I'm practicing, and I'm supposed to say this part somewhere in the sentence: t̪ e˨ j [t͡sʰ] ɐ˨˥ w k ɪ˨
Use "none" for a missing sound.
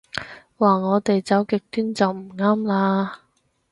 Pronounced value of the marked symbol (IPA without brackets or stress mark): t͡s